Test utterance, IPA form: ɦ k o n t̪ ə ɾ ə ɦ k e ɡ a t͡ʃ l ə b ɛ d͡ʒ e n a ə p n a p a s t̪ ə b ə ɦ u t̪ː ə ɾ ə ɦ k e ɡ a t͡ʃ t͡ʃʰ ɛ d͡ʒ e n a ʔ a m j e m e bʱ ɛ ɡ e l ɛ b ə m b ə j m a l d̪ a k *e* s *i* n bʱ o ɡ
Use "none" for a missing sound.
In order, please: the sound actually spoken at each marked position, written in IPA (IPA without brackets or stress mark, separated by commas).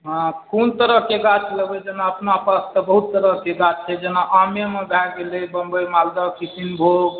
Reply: i, i